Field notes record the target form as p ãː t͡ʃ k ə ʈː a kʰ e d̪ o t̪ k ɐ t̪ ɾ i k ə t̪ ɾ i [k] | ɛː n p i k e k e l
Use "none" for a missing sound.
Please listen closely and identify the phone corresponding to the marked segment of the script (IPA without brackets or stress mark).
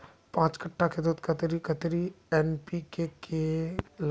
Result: none